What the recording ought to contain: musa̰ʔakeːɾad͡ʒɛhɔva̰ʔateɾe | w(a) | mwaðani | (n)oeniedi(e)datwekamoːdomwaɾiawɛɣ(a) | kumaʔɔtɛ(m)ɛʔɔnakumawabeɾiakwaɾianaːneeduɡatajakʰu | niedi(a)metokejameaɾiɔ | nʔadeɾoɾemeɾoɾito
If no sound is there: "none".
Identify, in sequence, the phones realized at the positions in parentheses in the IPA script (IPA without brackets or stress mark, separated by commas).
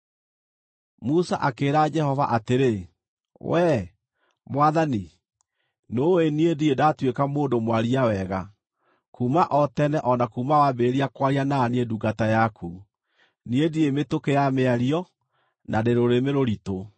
ɛ, n, e, a, n, e